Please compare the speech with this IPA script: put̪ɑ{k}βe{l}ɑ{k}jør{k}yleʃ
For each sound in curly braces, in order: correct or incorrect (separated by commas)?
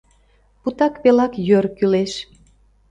correct, correct, correct, correct